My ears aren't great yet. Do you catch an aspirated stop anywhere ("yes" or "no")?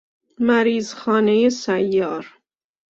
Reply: no